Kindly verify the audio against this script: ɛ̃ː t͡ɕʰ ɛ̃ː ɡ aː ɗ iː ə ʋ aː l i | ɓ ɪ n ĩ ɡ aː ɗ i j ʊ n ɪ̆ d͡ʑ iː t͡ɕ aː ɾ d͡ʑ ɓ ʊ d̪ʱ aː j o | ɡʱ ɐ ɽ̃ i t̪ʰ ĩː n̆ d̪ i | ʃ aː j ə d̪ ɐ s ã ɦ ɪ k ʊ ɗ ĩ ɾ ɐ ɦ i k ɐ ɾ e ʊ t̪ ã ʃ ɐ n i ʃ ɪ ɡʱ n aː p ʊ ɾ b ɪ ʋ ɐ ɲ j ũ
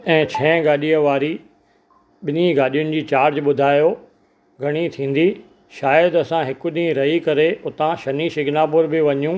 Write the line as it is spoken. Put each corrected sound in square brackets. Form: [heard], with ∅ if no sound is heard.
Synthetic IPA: ɛ̃ː t͡ɕʰ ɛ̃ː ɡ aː ɗ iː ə ʋ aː [ɾ] i | ɓ ɪ n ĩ ɡ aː ɗ i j ʊ n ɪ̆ d͡ʑ iː t͡ɕ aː ɾ d͡ʑ ɓ ʊ d̪ʱ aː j o | ɡʱ ɐ ɽ̃ i t̪ʰ ĩː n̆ d̪ i | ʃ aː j ə d̪ ɐ s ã ɦ ɪ k ʊ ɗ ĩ ɾ ɐ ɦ i k ɐ ɾ e ʊ t̪ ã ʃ ɐ n i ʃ ɪ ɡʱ n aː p ʊ ɾ b ɪ ʋ ɐ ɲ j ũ

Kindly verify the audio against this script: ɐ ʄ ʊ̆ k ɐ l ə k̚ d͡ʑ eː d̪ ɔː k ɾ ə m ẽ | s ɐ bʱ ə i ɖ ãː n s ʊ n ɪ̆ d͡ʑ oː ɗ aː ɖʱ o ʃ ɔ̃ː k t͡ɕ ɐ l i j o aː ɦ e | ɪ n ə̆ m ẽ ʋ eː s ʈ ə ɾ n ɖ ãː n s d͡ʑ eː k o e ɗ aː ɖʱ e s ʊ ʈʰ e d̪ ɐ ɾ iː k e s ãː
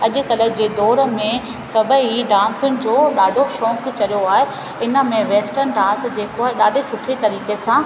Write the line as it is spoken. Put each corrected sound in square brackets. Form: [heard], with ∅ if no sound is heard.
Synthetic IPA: ɐ ʄ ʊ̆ k ɐ l ə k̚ d͡ʑ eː d̪ ɔː [∅] ɾ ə m ẽ | s ɐ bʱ ə i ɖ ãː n s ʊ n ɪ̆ d͡ʑ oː ɗ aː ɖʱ o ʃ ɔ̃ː k t͡ɕ ɐ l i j o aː ɦ e | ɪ n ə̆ m ẽ ʋ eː s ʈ ə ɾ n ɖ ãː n s d͡ʑ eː k o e ɗ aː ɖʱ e s ʊ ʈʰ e [t̪] ɐ ɾ iː k e s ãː

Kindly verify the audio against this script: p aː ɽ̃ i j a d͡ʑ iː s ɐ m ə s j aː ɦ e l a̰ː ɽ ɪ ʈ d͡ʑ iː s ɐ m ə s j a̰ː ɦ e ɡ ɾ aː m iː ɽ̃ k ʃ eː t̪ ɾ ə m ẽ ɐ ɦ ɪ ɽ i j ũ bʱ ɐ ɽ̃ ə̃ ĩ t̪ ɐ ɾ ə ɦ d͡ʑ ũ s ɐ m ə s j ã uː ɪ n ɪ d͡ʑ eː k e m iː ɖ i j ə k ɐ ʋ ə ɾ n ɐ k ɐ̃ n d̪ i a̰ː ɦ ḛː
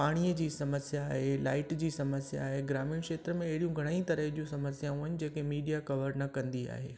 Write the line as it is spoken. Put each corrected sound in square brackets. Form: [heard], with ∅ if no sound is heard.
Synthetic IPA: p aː ɽ̃ i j [ə] d͡ʑ iː s ɐ m ə s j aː ɦ e l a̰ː [∅] ɪ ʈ d͡ʑ iː s ɐ m ə s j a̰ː ɦ e ɡ ɾ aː m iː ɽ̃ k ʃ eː t̪ ɾ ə m ẽ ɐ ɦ ɪ ɽ i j ũ [ɡʱ] ɐ ɽ̃ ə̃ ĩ t̪ ɐ ɾ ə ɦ d͡ʑ ũ s ɐ m ə s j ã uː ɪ n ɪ d͡ʑ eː k e m iː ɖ i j [a] k ɐ ʋ ə ɾ n ɐ k ɐ̃ n d̪ i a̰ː ɦ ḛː

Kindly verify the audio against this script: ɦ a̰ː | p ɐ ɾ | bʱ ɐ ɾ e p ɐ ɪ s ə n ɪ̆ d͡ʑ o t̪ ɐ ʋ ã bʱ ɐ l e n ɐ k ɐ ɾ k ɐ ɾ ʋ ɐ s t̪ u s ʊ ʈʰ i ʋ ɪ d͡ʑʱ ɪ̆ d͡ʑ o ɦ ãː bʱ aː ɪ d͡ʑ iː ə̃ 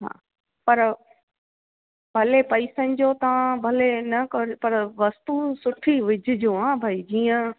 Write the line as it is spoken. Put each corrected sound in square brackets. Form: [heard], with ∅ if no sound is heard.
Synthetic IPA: ɦ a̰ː | p ɐ ɾ | bʱ ɐ [l] e p ɐ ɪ s ə n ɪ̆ d͡ʑ o t̪ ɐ ʋ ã bʱ ɐ l e n ɐ k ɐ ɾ [p] ɐ ɾ ʋ ɐ s t̪ u s ʊ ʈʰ i ʋ ɪ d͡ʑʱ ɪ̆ d͡ʑ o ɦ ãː bʱ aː [i] d͡ʑ iː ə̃

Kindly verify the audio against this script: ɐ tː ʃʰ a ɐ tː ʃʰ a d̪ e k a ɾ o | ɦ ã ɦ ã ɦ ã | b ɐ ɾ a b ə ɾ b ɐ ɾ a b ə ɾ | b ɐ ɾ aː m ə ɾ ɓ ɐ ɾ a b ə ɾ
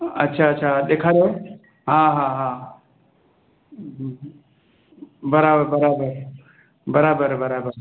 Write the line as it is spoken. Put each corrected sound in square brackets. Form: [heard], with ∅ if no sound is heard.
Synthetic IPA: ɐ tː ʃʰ a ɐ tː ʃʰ a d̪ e [kʰ] a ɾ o | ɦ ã ɦ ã ɦ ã | b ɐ ɾ a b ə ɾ b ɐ ɾ a b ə ɾ | b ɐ ɾ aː [b] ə ɾ [b] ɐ ɾ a b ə ɾ

